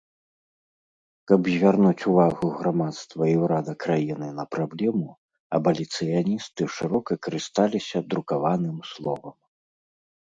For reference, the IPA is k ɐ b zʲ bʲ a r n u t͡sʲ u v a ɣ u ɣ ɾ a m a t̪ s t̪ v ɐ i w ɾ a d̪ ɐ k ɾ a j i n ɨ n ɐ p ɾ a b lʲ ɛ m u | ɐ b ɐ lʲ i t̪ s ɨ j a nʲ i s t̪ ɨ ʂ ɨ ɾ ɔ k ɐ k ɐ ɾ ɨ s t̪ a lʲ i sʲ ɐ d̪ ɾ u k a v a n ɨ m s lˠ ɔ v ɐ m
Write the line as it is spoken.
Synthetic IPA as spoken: k ɐ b zʲ vʲ a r n u t͡sʲ u v a ɣ u ɣ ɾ a m a t̪ s t̪ v ɐ i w ɾ a d̪ ɐ k ɾ a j i n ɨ n ɐ p ɾ a b lʲ ɛ m u | ɐ b ɐ lʲ i t̪ s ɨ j a nʲ i s t̪ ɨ ʂ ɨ ɾ ɔ k ɐ k ɐ ɾ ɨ s t̪ a lʲ i sʲ ɐ d̪ ɾ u k a v a n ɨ m s lˠ ɔ v ɐ m